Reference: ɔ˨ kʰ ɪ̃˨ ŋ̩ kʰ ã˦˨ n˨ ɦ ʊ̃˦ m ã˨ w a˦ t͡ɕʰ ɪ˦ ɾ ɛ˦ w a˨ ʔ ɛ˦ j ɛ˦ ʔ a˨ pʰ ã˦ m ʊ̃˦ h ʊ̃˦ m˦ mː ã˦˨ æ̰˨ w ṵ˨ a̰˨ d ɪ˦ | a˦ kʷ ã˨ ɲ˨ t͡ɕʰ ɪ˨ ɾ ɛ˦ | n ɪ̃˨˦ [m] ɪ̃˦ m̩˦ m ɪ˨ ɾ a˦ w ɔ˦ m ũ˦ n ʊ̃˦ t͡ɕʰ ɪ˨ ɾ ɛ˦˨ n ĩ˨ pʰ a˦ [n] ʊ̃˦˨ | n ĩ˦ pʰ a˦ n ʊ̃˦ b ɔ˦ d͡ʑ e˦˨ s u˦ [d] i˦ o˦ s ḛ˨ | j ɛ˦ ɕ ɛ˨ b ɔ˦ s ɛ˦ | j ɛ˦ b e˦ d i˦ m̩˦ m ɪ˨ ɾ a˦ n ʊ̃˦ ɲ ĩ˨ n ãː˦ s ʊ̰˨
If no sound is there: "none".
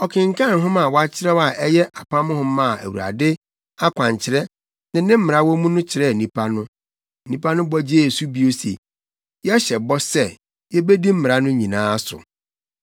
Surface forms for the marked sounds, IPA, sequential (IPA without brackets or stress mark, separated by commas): n, n, b